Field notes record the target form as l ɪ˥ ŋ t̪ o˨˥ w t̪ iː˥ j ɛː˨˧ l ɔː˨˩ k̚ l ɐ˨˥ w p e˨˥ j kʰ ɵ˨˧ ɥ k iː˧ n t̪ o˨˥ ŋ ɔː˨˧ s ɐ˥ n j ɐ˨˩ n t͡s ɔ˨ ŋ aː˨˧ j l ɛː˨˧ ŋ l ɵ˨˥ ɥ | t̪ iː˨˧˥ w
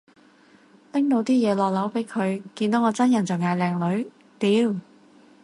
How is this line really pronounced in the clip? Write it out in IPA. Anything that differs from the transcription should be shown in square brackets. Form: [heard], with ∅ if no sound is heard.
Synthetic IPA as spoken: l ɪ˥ ŋ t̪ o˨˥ w t̪ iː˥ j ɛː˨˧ l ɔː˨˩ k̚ l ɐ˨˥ w p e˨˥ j kʰ ɵ˨˧ ɥ k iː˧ n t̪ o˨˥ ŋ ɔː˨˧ [t͡s] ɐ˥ n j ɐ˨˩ n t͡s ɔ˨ ŋ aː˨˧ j l ɛː˨˧ ŋ l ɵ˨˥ ɥ | t̪ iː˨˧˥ w